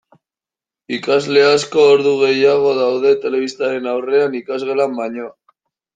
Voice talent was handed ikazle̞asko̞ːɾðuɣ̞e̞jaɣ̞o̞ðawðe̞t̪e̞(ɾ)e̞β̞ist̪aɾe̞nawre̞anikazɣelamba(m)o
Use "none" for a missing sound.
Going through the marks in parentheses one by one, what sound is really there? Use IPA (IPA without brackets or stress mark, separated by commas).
l, ɲ